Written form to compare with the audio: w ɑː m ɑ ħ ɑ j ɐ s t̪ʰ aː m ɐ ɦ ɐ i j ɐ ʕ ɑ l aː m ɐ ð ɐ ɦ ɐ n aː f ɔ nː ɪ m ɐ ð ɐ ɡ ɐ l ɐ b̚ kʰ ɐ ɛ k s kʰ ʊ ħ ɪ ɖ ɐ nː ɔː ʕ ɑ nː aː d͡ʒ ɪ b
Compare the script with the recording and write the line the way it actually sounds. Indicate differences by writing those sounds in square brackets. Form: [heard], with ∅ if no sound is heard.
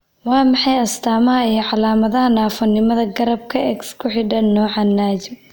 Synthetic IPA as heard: w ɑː m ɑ ħ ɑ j ɐ s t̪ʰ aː m ɐ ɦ ɐ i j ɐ ʕ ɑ l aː m ɐ ð ɐ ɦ ɐ n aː f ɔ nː ɪ m ɐ ð ɐ ɡ ɐ [ɾ] ɐ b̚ kʰ ɐ ɛ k s kʰ ʊ ħ ɪ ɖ ɐ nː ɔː ʕ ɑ nː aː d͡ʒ ɪ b